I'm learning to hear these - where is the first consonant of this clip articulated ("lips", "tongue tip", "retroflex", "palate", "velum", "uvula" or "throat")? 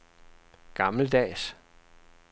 velum